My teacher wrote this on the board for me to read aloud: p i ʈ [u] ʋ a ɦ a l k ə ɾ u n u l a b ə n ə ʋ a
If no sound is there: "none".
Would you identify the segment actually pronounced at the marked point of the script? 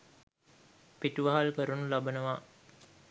u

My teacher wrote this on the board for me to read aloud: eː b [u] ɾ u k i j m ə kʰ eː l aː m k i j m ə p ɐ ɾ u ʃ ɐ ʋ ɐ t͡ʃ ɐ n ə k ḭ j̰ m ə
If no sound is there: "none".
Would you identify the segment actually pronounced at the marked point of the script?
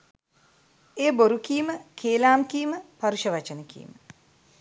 o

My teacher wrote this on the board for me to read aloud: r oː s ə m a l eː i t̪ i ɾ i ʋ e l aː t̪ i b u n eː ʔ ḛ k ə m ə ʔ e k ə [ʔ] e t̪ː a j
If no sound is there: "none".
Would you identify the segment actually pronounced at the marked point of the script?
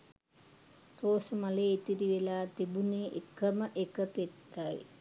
p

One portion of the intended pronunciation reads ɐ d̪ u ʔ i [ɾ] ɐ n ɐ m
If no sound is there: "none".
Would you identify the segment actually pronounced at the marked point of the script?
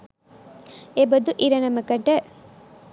ɾ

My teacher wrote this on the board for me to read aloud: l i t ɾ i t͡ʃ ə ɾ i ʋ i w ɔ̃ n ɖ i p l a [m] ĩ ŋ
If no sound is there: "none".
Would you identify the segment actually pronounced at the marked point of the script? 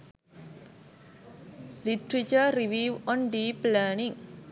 n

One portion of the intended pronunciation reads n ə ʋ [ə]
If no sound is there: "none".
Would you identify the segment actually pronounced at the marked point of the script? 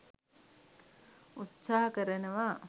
a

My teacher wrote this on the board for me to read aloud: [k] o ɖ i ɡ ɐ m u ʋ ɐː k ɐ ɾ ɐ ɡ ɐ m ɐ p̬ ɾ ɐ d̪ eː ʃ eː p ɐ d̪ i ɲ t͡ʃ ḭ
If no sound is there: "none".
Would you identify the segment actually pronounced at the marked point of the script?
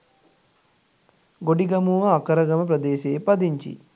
ɡ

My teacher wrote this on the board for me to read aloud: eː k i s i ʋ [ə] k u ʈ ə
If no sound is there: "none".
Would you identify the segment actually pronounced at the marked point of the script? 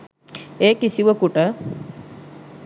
ə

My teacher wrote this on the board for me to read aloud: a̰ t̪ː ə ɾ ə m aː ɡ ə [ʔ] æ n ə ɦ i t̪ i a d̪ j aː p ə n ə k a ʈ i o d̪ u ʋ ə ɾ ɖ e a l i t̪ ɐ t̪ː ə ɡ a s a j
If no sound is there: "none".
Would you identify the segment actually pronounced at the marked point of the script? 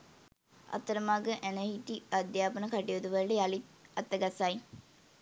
ʔ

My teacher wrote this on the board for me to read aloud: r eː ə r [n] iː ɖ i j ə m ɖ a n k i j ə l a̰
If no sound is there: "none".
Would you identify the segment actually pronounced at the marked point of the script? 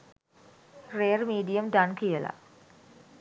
m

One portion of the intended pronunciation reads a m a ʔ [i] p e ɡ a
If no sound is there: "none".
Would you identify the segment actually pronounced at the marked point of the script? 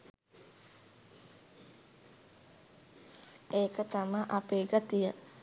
a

